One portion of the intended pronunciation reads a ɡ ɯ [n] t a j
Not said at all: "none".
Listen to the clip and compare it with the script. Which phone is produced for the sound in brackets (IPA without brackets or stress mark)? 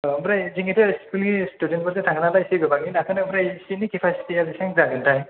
n